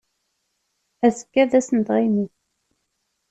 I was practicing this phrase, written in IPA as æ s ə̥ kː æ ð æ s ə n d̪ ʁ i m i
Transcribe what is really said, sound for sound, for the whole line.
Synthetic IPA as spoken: æ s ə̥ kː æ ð æ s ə n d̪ ʁ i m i

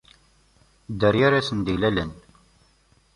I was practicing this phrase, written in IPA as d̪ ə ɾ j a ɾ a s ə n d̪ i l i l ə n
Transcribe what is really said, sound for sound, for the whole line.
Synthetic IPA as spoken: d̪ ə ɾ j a ɾ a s ə n d̪ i l æ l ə n

